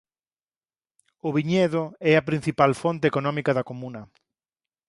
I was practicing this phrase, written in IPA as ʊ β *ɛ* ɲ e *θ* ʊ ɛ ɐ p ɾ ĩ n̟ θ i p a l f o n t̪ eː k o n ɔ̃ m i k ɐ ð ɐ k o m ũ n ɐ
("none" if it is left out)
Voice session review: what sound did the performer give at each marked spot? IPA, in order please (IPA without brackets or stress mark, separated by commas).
i, ð